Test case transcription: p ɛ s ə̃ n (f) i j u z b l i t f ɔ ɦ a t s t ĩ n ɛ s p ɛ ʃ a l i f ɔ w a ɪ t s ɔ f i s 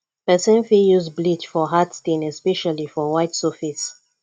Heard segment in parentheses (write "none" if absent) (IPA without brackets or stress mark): f